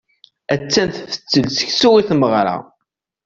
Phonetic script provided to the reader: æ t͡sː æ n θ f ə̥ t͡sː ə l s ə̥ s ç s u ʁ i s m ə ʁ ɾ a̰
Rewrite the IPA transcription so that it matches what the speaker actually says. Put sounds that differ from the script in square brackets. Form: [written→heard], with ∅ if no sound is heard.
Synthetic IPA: æ t͡sː æ n θ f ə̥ t͡sː ə l s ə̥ [s→∅] ç s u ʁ i [s→θ] m ə ʁ ɾ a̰